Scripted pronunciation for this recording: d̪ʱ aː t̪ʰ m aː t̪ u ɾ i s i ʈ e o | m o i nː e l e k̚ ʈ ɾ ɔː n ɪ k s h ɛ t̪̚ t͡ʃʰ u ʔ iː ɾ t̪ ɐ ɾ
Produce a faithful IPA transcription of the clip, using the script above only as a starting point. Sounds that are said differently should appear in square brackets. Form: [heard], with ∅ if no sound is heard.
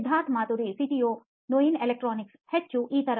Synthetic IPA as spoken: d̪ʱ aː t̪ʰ m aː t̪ u ɾ i s i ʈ [i] o | [n] o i [n] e l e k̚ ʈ ɾ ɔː n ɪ k s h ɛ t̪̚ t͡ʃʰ u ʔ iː [∅] t̪ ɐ ɾ